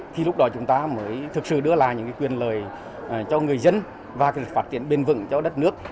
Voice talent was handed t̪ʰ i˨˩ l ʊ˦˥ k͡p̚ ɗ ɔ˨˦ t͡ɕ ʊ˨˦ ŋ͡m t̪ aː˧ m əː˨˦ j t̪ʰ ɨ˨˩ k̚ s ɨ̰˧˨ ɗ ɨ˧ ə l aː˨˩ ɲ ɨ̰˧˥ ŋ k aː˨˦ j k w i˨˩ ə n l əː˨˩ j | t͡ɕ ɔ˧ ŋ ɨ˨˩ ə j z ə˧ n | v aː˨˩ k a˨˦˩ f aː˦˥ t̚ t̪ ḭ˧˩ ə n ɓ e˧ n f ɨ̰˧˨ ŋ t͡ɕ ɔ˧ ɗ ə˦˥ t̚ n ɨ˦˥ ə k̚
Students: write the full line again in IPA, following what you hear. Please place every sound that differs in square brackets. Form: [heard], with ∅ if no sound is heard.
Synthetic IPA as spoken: t̪ʰ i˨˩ l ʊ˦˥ k͡p̚ ɗ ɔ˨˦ t͡ɕ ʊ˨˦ ŋ͡m t̪ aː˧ m əː˨˦ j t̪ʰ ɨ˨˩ k̚ s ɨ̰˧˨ ɗ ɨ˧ ə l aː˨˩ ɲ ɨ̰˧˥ ŋ k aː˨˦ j k w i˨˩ ə n l əː˨˩ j | t͡ɕ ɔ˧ ŋ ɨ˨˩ ə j z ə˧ n | v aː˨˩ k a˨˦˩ f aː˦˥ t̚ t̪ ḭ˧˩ ə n ɓ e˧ n [v] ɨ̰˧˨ ŋ t͡ɕ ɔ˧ ɗ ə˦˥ t̚ n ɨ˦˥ ə k̚